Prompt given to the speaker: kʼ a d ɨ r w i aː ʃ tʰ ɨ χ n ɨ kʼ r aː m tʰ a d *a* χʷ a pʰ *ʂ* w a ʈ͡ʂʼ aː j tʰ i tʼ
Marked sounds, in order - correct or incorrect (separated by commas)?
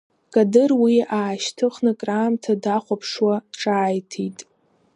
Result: correct, correct